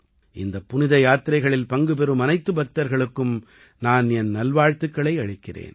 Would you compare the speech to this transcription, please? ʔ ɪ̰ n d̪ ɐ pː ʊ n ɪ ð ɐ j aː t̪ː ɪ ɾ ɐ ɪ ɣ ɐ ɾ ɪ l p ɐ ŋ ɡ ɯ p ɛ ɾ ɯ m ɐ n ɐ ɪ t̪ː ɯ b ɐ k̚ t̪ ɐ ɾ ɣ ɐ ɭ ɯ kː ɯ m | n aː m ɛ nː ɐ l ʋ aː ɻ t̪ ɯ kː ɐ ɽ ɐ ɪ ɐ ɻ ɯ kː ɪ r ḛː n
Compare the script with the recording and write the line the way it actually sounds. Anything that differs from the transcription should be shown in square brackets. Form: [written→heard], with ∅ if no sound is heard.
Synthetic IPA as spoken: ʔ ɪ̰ n d̪ ɐ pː ʊ n ɪ ð ɐ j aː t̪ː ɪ ɾ ɐ ɪ ɣ ɐ [ɾ→ɭ] ɪ l p ɐ ŋ ɡ ɯ p ɛ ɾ ɯ m ɐ n ɐ ɪ t̪ː ɯ b ɐ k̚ t̪ ɐ ɾ ɣ ɐ ɭ ɯ kː ɯ m | n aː [m→n] ɛ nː ɐ l ʋ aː ɻ t̪ ɯ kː ɐ [ɽ→ɭ] ɐ ɪ ɐ ɻ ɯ kː ɪ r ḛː n